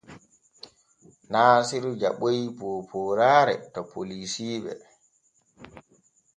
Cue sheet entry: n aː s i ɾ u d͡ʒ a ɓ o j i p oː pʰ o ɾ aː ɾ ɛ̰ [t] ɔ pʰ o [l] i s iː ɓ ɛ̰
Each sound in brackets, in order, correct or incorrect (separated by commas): correct, correct